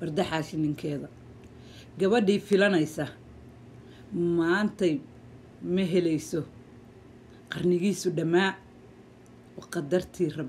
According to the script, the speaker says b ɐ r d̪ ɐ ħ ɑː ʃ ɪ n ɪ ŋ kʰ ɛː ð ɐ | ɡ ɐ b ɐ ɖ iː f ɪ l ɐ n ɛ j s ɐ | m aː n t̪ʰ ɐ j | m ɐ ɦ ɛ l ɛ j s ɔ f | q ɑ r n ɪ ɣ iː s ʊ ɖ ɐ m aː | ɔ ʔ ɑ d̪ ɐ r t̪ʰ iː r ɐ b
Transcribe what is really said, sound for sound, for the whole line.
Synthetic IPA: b ɐ r d̪ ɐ ħ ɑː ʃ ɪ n ɪ ŋ kʰ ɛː ð ɐ | ɡ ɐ β ɐ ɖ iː f ɪ l ɐ n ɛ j s ɐ | m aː n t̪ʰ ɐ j | m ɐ ɦ ɛ l ɛ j s ɔ | q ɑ r n ɪ ɣ iː s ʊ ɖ ɐ m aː | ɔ q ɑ d̪ ɐ r t̪ʰ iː r ɐ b